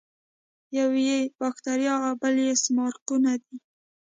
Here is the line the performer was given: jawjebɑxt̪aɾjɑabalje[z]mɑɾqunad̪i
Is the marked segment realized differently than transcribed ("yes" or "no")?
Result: yes